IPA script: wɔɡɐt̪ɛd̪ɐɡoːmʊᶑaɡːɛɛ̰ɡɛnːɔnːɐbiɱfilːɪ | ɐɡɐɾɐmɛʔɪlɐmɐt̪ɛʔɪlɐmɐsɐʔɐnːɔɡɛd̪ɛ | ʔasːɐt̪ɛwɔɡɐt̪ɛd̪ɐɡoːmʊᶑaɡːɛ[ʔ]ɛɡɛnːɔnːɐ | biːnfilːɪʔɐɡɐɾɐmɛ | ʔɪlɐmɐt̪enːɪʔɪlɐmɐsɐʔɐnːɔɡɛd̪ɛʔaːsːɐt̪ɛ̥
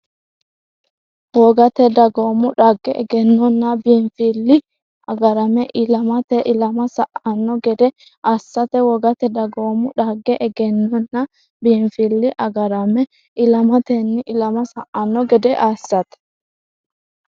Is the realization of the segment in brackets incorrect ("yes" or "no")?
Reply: no